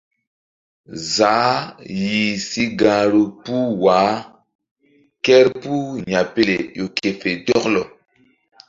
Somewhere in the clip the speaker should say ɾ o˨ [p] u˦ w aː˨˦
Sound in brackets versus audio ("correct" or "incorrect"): correct